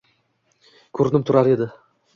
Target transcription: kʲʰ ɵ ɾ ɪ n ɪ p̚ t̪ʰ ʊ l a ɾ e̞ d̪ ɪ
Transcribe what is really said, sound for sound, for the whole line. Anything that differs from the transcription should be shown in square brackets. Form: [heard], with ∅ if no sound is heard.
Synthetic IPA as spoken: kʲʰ ɵ ɾ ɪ n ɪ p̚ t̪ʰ ʊ [ɾ] a ɾ e̞ d̪ ɪ